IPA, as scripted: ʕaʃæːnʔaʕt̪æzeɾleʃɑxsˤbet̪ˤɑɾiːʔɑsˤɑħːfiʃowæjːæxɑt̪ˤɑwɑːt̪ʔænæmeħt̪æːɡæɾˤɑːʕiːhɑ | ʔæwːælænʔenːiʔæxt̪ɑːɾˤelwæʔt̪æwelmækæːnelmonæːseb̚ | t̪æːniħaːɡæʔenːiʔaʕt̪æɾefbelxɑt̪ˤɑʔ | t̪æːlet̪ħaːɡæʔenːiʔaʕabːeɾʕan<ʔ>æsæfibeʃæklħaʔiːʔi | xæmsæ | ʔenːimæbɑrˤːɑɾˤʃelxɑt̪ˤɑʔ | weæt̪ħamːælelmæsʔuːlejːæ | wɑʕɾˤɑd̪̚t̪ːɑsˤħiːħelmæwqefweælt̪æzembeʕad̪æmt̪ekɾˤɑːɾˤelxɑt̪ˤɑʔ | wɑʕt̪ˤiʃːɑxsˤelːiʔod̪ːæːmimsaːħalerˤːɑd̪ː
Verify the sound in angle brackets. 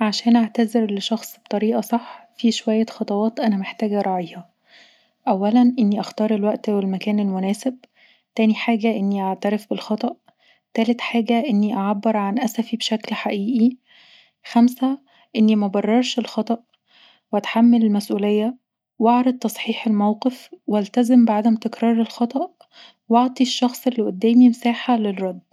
correct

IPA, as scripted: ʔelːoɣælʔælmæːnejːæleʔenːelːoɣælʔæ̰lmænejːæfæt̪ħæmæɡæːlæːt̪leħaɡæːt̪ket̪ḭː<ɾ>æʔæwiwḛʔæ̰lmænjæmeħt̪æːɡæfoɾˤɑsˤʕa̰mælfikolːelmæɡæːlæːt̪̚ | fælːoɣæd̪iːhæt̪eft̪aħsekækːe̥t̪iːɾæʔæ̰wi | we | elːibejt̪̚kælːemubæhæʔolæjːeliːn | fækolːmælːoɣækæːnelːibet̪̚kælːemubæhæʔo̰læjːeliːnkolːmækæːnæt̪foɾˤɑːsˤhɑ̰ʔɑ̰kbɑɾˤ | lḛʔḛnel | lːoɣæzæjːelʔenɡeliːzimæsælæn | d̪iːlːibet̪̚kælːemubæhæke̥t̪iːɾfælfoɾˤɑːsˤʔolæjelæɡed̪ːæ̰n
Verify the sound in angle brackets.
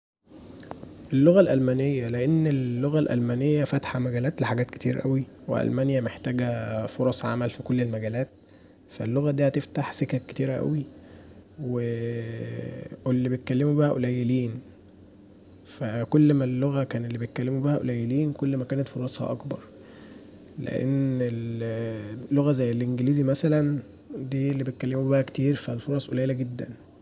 correct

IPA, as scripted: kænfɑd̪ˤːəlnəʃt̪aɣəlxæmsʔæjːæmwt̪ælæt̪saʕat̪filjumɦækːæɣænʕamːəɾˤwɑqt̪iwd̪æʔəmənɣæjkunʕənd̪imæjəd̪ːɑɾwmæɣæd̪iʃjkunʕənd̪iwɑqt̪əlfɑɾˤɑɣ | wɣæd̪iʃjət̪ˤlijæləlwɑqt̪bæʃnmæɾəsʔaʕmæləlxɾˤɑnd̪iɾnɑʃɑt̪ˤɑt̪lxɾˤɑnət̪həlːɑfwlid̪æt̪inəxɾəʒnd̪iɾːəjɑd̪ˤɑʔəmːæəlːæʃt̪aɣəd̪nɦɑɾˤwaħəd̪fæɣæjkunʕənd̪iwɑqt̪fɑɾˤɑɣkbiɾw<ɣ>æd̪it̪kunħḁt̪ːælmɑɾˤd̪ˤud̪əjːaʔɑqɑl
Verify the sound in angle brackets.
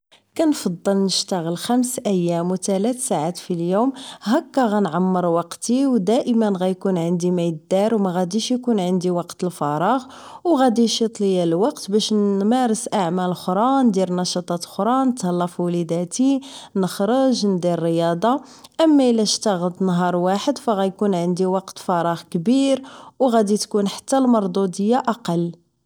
correct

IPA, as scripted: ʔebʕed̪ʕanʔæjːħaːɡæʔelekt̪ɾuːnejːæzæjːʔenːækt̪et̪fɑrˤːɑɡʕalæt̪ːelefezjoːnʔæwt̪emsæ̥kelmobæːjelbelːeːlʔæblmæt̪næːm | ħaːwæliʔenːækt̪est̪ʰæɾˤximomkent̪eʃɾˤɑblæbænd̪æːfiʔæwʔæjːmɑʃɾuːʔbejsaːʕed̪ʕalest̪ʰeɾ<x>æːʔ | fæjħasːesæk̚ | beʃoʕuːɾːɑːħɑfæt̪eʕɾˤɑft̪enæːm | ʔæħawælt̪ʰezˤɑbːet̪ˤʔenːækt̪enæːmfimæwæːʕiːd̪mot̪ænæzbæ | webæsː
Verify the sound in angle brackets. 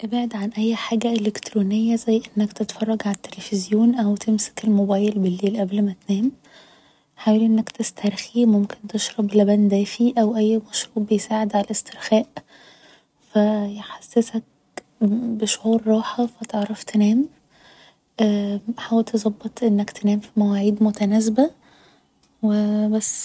correct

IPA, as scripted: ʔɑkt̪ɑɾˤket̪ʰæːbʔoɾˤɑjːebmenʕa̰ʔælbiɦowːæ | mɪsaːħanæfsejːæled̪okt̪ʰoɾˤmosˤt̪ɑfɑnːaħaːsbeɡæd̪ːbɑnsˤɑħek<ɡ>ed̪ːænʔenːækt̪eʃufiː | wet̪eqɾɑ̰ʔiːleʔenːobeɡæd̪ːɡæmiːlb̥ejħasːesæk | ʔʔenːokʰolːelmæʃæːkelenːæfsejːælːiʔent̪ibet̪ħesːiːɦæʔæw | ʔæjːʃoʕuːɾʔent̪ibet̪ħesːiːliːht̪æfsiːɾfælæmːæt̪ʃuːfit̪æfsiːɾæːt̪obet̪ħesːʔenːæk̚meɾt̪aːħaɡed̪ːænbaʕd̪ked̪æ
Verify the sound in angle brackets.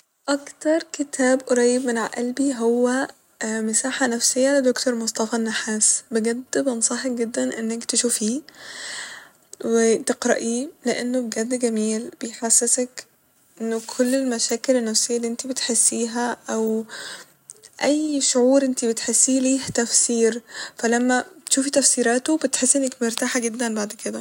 correct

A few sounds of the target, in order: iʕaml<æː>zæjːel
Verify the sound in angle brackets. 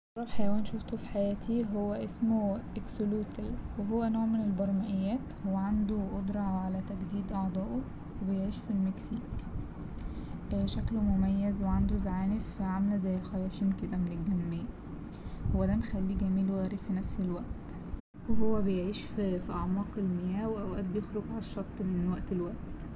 incorrect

